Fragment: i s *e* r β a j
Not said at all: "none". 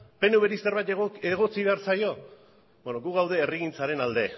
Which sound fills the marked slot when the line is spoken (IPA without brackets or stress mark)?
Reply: e